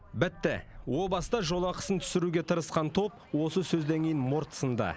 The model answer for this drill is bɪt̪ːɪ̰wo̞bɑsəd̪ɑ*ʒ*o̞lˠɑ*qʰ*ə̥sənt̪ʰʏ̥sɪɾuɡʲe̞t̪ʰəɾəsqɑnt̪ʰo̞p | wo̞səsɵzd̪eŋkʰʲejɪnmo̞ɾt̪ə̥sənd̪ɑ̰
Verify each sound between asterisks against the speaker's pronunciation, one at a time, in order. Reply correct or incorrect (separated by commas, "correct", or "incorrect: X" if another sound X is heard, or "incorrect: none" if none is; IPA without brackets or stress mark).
correct, incorrect: q